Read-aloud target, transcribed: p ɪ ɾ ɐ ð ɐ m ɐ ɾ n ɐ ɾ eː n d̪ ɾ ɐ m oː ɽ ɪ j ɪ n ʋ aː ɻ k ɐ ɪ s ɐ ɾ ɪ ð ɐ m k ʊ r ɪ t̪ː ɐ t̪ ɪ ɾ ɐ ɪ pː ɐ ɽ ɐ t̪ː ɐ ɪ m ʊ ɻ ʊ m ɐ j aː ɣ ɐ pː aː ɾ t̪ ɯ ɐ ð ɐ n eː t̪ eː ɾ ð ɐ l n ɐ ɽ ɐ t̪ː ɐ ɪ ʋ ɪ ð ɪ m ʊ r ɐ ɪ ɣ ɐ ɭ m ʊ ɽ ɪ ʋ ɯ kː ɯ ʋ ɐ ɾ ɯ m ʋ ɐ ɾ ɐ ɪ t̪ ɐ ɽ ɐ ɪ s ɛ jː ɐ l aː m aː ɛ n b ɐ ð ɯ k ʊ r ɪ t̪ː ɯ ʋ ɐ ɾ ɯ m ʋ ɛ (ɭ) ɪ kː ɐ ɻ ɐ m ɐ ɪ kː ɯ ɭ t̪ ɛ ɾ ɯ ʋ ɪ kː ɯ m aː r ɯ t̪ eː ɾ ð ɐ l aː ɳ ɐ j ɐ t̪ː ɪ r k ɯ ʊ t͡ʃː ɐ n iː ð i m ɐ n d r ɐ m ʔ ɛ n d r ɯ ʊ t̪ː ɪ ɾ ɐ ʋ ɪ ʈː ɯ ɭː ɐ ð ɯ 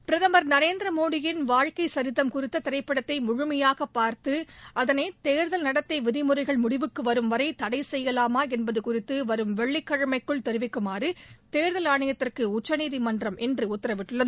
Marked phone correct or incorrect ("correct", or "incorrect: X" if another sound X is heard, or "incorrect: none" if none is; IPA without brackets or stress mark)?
incorrect: ɭː